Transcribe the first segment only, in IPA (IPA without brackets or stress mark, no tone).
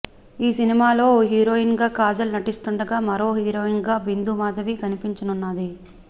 iː